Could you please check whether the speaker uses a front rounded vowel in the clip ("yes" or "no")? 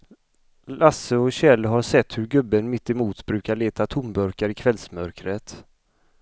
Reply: yes